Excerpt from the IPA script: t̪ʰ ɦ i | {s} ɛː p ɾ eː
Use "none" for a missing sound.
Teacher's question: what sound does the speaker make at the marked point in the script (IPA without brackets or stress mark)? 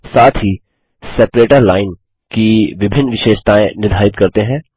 s